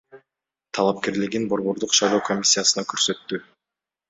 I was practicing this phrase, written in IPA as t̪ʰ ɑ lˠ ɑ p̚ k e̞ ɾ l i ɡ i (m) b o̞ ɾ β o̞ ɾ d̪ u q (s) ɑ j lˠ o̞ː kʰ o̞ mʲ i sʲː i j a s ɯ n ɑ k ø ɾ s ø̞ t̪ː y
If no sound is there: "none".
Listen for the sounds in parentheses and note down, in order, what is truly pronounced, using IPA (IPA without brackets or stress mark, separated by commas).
n, ʃ